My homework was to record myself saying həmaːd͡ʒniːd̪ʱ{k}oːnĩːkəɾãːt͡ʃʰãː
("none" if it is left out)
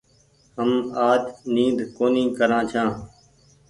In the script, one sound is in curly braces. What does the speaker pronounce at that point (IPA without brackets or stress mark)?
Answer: k